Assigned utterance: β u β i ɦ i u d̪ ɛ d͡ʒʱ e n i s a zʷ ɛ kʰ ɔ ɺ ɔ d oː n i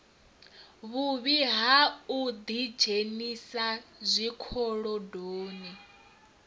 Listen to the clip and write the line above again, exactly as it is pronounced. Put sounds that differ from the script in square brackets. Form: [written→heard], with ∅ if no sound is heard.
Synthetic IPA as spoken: β u β i ɦ [i→a] u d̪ [ɛ→i] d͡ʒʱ e n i s a zʷ [ɛ→i] kʰ ɔ ɺ ɔ d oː n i